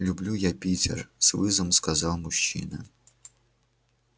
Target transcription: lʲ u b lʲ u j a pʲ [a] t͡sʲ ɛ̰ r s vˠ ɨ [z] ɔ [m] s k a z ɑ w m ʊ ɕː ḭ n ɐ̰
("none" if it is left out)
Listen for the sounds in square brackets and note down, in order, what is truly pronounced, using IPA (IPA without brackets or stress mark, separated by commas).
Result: i, z, m